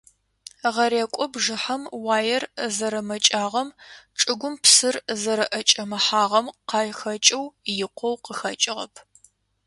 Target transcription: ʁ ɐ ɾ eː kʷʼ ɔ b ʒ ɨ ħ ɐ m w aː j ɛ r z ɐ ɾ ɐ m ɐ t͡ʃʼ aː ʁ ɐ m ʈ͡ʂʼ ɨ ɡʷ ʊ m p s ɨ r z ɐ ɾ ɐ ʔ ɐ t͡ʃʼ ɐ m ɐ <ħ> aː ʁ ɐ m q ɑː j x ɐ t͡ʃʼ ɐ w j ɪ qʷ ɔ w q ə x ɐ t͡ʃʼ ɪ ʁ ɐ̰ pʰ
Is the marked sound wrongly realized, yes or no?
no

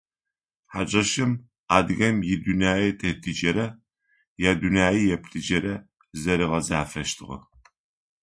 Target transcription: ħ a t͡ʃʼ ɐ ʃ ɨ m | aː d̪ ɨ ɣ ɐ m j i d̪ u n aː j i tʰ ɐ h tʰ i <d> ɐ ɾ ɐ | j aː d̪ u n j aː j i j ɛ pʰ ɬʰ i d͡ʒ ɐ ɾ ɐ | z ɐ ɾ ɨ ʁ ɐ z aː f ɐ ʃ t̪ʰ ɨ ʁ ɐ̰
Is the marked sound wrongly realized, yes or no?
yes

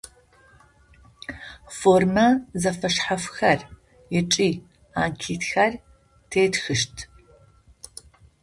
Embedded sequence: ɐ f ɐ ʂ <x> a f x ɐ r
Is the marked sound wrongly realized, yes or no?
yes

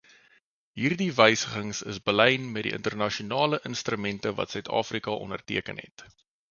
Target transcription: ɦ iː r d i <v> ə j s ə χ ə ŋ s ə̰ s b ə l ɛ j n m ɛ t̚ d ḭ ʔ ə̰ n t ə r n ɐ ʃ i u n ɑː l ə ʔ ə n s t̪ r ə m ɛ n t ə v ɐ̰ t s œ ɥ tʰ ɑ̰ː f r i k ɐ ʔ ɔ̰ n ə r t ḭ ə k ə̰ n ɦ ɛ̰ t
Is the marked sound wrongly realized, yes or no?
no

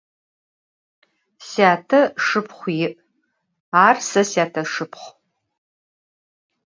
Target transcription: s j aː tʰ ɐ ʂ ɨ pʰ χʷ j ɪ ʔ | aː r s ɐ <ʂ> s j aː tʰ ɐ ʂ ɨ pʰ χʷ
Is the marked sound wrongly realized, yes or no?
yes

